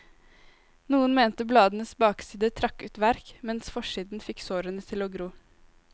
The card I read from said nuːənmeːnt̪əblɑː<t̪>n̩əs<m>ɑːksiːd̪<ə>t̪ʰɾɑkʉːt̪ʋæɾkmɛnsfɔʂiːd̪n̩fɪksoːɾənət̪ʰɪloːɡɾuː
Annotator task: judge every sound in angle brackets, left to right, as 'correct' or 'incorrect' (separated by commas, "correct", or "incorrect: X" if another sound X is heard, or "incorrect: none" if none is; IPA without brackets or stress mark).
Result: incorrect: d̪, incorrect: b, correct